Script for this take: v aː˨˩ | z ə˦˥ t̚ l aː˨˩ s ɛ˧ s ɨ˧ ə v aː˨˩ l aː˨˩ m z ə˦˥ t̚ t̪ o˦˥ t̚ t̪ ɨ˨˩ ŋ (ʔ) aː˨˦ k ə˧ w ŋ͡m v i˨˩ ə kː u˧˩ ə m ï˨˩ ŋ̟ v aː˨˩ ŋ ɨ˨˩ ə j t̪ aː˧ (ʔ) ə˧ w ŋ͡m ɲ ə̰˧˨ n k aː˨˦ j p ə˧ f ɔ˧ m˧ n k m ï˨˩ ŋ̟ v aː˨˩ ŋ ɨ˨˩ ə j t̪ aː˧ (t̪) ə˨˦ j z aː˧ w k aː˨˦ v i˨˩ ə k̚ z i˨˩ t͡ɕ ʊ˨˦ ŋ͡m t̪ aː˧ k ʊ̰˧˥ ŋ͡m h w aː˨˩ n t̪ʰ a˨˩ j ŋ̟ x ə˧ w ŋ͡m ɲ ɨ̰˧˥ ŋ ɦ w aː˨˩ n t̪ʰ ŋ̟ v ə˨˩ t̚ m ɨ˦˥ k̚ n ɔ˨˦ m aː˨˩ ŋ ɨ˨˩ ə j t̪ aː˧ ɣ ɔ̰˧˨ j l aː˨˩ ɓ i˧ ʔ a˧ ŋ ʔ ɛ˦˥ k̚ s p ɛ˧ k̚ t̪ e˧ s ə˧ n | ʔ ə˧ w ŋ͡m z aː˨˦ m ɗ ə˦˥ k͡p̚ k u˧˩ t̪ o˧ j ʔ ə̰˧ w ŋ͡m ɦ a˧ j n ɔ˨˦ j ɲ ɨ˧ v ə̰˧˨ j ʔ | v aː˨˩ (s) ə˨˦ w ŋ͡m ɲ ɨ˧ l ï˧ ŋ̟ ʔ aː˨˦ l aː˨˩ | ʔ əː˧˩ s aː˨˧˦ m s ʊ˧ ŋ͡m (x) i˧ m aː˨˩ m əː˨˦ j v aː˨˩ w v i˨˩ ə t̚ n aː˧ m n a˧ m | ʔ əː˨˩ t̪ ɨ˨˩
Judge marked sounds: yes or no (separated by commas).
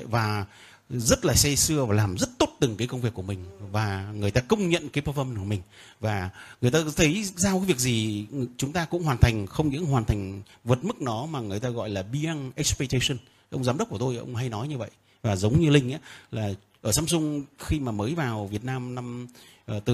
no, no, no, no, yes